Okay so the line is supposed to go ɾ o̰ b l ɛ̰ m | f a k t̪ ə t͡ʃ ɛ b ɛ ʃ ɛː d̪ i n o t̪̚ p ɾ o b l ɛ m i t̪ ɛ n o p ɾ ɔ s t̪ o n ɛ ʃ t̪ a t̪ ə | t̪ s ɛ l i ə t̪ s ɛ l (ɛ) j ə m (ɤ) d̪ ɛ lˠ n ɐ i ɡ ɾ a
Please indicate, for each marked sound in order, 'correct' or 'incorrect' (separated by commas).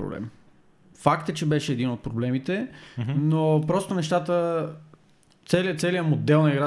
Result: incorrect, incorrect